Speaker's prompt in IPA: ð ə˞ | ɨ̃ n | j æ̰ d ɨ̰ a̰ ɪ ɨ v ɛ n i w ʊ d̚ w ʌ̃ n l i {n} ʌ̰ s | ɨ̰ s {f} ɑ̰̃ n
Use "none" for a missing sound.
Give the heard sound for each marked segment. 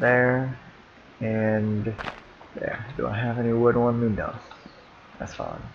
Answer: n, f

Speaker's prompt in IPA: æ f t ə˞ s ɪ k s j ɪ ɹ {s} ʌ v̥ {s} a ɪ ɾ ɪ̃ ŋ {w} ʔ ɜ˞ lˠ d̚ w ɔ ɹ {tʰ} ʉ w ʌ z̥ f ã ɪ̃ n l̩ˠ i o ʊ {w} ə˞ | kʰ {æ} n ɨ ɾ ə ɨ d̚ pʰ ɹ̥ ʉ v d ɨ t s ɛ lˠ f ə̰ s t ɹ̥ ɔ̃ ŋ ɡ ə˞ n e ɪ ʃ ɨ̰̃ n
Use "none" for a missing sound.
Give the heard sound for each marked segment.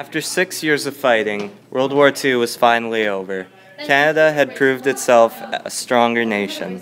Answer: z, f, w, tʰ, v, æ

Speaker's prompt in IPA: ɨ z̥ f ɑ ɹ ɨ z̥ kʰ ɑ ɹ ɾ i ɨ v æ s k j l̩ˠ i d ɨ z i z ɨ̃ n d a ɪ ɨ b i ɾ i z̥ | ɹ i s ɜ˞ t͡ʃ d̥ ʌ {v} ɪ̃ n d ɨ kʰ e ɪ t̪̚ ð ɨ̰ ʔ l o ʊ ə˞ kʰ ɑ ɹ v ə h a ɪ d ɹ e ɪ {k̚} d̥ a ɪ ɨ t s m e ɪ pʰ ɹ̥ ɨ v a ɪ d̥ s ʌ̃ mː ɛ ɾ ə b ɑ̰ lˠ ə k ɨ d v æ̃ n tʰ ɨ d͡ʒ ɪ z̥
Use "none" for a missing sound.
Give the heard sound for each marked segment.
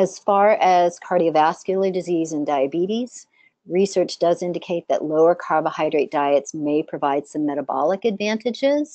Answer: z, t̚

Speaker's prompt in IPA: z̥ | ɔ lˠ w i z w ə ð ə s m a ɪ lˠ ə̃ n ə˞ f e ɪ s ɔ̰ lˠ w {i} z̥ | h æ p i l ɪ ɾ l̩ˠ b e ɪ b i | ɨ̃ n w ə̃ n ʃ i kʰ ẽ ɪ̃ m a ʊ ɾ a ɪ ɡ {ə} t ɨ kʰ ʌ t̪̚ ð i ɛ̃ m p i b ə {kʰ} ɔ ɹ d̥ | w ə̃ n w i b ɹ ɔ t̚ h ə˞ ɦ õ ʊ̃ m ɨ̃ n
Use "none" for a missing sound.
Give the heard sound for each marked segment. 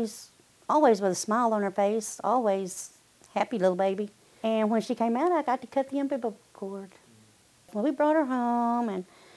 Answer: i, ɑ, kʰ

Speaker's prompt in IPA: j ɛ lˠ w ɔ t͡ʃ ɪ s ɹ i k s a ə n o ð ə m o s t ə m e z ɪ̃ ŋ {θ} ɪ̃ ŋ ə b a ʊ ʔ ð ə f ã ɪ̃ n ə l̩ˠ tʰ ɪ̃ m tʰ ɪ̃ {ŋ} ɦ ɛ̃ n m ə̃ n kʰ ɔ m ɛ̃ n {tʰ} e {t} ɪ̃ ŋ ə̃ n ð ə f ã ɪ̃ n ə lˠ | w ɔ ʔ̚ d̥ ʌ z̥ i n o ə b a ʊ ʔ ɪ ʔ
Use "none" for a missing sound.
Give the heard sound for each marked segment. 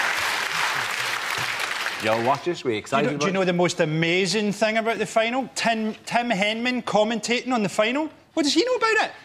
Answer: θ, m, tʰ, ʔ

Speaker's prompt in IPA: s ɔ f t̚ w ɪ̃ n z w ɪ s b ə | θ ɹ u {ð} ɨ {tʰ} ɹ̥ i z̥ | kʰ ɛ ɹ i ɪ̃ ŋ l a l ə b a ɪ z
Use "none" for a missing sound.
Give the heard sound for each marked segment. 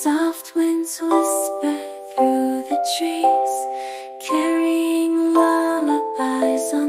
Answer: ð, tʰ

